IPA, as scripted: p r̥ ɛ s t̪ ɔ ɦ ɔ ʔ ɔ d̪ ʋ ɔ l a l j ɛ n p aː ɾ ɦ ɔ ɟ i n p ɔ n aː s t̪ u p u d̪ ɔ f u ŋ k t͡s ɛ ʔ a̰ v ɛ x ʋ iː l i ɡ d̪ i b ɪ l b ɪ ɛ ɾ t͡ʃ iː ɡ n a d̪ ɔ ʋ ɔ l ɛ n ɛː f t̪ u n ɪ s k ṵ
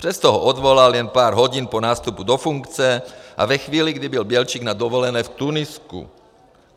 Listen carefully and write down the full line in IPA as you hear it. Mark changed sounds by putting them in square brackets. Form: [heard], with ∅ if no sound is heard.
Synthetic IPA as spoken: p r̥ ɛ s t̪ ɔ ɦ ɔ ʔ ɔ d̪ ʋ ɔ l a l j ɛ n p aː ɾ ɦ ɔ ɟ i n p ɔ n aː s t̪ u p u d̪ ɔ f u ŋ k t͡s ɛ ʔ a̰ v ɛ x ʋ iː l i ɡ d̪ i b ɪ l b ɪ ɛ [l] t͡ʃ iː ɡ n a d̪ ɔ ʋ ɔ l ɛ n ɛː f t̪ u n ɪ s k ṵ